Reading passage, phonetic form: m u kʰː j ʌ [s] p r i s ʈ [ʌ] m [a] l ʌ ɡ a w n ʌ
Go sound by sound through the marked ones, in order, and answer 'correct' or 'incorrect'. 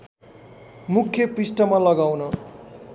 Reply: incorrect, correct, correct

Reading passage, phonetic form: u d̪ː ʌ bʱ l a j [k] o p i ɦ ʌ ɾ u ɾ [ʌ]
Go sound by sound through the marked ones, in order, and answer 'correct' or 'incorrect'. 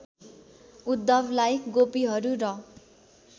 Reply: incorrect, correct

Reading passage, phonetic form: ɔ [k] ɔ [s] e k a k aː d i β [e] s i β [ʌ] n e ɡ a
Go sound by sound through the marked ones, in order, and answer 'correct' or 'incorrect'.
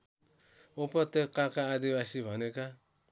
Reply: incorrect, incorrect, incorrect, incorrect

